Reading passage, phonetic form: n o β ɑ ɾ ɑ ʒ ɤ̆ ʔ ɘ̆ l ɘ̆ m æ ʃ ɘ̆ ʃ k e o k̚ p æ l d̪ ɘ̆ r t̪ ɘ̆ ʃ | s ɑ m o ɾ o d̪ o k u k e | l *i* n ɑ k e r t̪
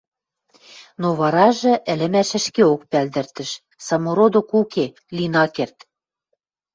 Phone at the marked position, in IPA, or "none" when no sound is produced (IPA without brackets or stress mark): i